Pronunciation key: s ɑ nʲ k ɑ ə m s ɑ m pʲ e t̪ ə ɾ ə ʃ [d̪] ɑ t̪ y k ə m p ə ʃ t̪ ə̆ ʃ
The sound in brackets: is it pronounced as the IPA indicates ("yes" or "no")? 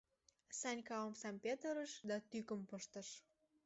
yes